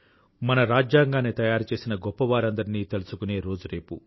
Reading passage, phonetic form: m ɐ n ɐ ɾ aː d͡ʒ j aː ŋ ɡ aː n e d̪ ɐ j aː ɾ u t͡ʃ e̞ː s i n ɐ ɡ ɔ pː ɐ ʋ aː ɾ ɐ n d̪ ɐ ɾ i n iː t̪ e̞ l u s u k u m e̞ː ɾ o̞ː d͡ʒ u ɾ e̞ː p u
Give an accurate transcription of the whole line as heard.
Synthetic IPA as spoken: m ɐ n ɐ ɾ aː d͡ʒ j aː ŋ ɡ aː n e t̪ ɐ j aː ɾ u t͡ʃ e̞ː s i n ɐ ɡ ɔ pː ɐ ʋ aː ɾ ɐ n d̪ ɐ ɾ i n iː t̪ e̞ l u s u k u n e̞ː ɾ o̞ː d͡ʒ u ɾ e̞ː p u